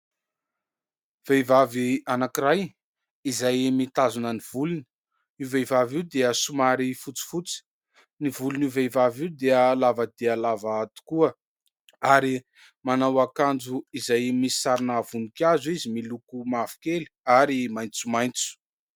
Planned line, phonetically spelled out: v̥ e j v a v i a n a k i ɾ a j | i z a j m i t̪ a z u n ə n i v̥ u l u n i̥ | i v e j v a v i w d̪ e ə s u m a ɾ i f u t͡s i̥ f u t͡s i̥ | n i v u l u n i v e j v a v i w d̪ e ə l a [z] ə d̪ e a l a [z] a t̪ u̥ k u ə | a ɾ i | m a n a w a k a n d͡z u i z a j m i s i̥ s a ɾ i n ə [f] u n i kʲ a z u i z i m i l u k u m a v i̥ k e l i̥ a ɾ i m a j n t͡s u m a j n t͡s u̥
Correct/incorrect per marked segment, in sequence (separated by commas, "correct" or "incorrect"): incorrect, incorrect, incorrect